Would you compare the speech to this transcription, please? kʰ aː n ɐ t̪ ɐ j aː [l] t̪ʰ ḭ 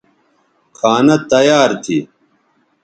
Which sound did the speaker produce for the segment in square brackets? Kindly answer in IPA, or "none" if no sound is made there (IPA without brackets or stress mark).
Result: ɾ